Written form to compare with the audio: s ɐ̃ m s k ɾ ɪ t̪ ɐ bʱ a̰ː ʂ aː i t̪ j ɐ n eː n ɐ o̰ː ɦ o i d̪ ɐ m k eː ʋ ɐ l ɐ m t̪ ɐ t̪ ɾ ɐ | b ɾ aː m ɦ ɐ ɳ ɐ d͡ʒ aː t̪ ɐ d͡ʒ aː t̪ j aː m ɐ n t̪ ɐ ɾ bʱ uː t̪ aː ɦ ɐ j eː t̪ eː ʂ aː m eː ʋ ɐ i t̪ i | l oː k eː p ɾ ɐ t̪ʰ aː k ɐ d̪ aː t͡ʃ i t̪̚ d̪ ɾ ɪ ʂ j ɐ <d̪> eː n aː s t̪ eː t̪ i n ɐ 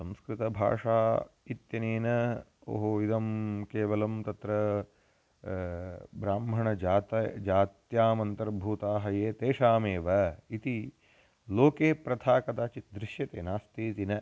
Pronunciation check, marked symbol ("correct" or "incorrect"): incorrect